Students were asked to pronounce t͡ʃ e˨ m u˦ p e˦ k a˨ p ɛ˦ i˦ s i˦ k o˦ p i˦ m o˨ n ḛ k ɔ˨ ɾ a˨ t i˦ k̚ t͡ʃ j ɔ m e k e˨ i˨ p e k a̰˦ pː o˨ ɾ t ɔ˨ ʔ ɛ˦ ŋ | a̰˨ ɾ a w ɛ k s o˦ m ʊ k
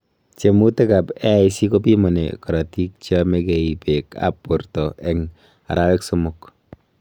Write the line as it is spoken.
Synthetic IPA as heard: t͡ʃ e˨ m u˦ t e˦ k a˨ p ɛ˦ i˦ s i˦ k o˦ p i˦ m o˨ n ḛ k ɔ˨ ɾ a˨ t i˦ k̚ t͡ʃ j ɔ m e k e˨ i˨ p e k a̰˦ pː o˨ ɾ t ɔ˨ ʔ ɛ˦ ŋ | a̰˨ ɾ a w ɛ k s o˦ m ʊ k

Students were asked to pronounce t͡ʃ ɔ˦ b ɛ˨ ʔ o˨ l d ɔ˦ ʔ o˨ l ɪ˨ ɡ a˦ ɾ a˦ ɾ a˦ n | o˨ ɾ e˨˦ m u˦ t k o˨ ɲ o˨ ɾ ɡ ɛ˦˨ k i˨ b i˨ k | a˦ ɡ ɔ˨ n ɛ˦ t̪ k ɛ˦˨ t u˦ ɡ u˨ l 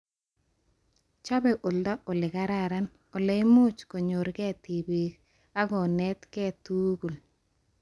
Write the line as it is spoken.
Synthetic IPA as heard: t͡ʃ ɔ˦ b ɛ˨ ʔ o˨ l d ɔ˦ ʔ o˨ l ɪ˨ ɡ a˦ ɾ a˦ ɾ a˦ n | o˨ l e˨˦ m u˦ t͡ʃ k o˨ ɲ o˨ ɾ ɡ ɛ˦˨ t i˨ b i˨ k | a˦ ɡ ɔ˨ n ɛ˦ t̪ k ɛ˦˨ t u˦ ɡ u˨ l

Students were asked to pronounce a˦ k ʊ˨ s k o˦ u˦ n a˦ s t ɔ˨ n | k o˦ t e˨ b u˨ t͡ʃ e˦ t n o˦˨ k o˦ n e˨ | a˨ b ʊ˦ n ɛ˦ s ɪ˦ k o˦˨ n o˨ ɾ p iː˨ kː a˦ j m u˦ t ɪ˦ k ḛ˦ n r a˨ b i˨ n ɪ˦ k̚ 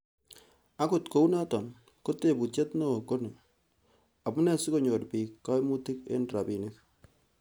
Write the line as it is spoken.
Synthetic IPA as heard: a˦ k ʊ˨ t k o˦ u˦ n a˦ t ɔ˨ n | k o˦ t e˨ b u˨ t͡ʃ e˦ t n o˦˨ k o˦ n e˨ | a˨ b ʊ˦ n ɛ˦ s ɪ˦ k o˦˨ ɲ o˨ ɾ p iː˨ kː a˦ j m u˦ t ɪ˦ k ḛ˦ n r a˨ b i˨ n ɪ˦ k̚

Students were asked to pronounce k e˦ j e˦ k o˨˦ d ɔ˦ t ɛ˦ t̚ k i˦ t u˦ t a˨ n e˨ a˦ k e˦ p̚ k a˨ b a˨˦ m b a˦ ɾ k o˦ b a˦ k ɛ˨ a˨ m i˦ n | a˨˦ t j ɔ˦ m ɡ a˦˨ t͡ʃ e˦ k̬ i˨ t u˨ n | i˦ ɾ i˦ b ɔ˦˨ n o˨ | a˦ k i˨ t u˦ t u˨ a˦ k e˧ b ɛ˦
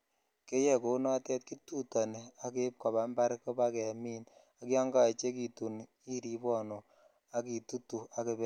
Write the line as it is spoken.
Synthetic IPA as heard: k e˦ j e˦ k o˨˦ n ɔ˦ t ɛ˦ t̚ k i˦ t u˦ t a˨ n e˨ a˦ k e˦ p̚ k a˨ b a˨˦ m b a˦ ɾ k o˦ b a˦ k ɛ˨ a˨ m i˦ n | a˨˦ k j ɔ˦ ŋ ɡ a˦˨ t͡ʃ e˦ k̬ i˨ t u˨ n | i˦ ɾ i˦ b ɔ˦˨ n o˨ | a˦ k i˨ t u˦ t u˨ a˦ k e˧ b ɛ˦

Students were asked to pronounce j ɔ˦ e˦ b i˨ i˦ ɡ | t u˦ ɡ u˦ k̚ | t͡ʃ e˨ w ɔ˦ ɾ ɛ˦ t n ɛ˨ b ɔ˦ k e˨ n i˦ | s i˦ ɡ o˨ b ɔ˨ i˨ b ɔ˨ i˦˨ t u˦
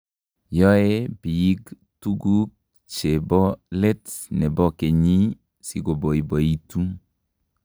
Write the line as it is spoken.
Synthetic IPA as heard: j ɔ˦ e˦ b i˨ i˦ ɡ | t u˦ ɡ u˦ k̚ | t͡ʃ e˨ b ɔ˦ l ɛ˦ t n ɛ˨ b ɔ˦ k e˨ ɲ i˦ | s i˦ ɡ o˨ b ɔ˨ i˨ b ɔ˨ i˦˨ t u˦

